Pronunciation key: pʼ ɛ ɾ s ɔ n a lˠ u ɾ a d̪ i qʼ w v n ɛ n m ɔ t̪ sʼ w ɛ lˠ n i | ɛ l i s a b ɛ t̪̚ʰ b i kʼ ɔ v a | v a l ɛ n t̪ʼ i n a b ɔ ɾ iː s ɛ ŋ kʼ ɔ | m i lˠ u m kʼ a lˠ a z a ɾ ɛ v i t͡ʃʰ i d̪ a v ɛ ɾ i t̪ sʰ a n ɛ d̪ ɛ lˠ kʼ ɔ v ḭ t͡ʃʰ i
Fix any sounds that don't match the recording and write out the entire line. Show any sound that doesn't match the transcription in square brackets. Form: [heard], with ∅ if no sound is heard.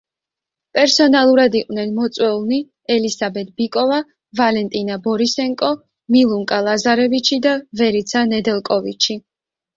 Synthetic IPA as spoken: pʼ ɛ ɾ s ɔ n a lˠ u ɾ a d̪ i qʼ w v n ɛ n m ɔ t̪ sʼ w ɛ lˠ n i | ɛ l i s a b ɛ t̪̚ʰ b i kʼ ɔ v a | v a l ɛ n t̪ʼ i n a b ɔ ɾ [i] s ɛ ŋ kʼ ɔ | m i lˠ u [ŋ] kʼ a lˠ a z a ɾ ɛ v i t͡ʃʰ i d̪ a v ɛ ɾ i t̪ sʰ a n ɛ d̪ ɛ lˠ kʼ ɔ v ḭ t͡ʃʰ i